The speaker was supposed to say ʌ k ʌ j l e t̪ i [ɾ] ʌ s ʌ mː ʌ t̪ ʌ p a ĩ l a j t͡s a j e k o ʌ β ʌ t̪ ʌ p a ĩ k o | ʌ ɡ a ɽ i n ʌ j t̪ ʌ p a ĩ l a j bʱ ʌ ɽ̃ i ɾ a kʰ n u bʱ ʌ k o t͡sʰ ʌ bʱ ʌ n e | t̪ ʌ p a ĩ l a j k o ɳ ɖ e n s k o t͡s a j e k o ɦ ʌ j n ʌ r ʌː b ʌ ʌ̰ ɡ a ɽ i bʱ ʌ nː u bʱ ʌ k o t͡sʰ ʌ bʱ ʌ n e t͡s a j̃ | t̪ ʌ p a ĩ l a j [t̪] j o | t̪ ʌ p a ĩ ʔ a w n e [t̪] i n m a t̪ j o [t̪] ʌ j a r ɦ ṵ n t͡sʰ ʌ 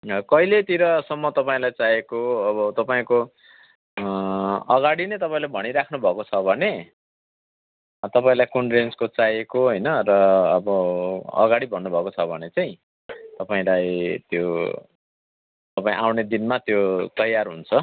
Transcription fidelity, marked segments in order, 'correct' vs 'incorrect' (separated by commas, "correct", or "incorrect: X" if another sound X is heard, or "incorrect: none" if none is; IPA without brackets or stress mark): correct, correct, incorrect: d̪, correct